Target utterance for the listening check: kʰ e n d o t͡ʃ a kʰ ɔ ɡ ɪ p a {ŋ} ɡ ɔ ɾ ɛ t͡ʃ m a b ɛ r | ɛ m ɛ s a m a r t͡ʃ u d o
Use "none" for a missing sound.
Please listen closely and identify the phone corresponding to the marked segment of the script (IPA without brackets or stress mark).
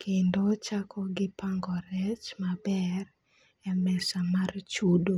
ŋ